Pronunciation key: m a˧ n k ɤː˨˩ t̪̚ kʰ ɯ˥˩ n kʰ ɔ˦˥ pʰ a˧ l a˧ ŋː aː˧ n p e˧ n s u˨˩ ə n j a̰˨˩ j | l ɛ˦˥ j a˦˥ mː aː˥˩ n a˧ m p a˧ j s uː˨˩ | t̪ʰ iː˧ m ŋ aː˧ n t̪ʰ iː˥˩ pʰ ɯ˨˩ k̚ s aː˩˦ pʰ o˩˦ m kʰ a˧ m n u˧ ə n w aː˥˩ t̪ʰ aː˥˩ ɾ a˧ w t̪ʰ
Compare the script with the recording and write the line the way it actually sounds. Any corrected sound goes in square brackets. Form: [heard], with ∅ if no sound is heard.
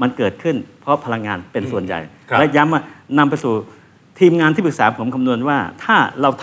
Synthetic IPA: m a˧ n k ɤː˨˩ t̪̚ kʰ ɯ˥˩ n [pʰ] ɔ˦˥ pʰ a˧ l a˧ ŋː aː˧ n p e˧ n s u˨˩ ə n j a̰˨˩ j | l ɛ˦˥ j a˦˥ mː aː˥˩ n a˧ m p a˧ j s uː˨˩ | t̪ʰ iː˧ m ŋ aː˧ n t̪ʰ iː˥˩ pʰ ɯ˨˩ k̚ s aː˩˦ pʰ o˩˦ m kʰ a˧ m n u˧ ə n w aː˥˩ t̪ʰ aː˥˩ ɾ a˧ w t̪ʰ